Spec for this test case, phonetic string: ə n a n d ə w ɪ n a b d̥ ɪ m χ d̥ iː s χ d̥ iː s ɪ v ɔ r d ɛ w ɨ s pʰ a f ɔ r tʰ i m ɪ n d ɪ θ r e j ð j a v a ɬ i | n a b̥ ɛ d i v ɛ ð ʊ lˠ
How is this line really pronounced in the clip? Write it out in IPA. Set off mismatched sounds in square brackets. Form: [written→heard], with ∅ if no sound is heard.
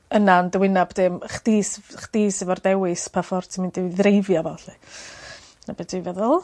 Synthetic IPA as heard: ə n a n d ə w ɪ n a b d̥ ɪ m χ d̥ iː s χ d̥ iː s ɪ v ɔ r d ɛ w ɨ s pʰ a f ɔ r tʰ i m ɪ n d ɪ [θ→ð] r e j [ð→v] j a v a ɬ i | n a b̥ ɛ d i v ɛ ð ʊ lˠ